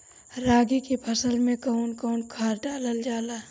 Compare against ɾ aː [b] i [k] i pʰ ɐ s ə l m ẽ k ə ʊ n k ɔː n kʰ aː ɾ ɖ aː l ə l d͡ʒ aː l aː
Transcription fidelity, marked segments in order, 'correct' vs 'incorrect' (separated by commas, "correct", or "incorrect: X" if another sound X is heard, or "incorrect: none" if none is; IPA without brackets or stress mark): incorrect: ɡ, correct